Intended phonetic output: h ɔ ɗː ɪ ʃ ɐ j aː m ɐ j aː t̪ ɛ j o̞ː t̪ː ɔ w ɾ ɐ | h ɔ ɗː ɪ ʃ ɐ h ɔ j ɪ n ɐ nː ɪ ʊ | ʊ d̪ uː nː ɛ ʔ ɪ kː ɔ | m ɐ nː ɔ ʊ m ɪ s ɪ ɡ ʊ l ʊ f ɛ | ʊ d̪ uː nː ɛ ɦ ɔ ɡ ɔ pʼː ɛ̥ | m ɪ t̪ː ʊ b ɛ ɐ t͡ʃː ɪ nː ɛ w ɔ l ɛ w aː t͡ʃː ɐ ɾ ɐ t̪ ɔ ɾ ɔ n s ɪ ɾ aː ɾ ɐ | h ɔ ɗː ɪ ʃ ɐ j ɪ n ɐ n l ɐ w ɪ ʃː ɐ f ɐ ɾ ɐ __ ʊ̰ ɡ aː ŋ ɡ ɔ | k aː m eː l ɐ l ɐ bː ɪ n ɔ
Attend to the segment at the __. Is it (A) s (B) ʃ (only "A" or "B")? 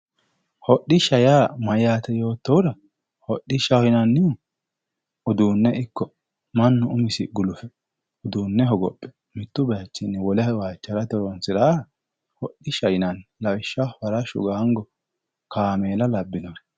B